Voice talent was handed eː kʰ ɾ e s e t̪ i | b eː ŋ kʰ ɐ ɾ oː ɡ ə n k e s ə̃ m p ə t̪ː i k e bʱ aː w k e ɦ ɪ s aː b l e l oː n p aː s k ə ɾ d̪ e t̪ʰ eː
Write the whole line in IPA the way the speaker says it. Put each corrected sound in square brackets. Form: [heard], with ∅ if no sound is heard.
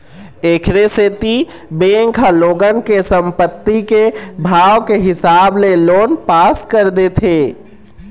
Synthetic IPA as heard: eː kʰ ɾ e s e t̪ i | b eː ŋ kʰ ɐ [l] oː ɡ ə n k e s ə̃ m p ə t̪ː i k e bʱ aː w k e ɦ ɪ s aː b l e l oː n p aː s k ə ɾ d̪ e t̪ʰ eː